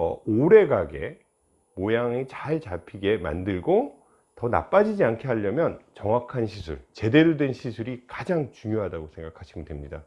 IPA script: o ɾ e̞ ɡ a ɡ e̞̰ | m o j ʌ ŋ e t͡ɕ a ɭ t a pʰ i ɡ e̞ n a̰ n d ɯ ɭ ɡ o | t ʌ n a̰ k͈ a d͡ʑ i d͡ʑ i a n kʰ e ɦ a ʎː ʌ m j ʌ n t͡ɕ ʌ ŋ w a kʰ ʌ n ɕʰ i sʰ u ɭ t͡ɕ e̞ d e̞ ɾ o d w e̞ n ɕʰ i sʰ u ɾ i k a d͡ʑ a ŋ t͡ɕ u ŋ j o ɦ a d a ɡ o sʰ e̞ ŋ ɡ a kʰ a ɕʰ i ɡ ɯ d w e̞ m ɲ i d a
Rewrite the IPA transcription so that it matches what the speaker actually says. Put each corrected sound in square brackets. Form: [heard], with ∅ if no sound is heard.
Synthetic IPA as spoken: o ɾ e̞ ɡ a ɡ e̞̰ | m o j [a] ŋ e t͡ɕ a ɭ [t͡ɕ] a pʰ i ɡ e̞ [m] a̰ n d ɯ ɭ ɡ o | t ʌ n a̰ [p͈] a d͡ʑ i d͡ʑ i a n kʰ e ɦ a ʎː ʌ m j ʌ n t͡ɕ ʌ ŋ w a kʰ [a] n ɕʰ i sʰ u ɭ t͡ɕ e̞ d e̞ ɾ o d w e̞ n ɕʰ i sʰ u ɾ i k a d͡ʑ a ŋ t͡ɕ u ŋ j o ɦ a d a ɡ o sʰ e̞ ŋ ɡ a kʰ a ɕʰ i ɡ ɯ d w e̞ m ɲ i d a